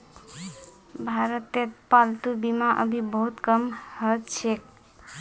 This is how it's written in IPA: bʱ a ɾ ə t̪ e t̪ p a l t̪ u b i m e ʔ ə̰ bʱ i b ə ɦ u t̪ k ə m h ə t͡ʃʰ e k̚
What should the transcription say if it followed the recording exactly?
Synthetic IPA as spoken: bʱ a ɾ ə t̪ e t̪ p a l t̪ u b i m a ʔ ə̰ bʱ i b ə ɦ u t̪ k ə m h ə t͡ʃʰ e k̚